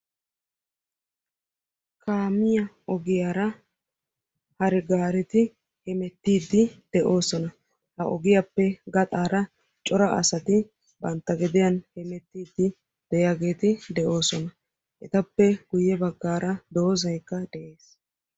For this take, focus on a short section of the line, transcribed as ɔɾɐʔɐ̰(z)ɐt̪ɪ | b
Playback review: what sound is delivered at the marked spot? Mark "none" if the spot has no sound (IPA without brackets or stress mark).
s